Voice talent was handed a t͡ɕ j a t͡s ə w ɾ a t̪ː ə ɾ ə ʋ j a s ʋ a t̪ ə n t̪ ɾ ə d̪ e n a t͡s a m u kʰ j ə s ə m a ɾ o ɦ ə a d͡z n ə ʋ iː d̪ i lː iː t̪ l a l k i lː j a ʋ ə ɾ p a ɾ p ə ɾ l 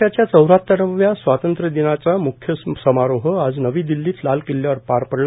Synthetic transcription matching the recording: a t͡ɕ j a t͡s ə w ɾ a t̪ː ə ɾ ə ʋ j a s ʋ a t̪ ə n t̪ ɾ ə d̪ i n a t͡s a m u kʰ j ə s ə m a ɾ o ɦ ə a d͡z n ə ʋ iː d̪ i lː iː t̪ l a l k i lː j a ʋ ə ɾ p a ɾ p ə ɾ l